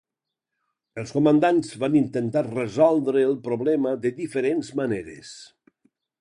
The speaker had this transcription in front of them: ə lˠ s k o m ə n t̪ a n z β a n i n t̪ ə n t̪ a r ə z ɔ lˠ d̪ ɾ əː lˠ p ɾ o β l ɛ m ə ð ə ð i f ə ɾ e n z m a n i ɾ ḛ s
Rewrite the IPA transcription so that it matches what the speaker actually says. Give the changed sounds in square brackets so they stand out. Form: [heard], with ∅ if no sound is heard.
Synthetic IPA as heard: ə lˠ s k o m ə n [d̪] a n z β a n i n t̪ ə n t̪ a r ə z ɔ lˠ d̪ ɾ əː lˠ p ɾ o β l ɛ m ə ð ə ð i f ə ɾ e n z m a n [e] ɾ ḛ s